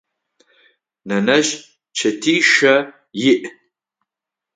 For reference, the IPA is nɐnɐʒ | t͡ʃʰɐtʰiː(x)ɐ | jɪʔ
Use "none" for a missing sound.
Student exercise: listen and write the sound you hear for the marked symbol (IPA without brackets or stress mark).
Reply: ʃ